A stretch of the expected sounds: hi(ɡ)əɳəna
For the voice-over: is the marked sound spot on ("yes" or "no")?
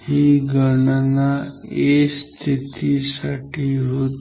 yes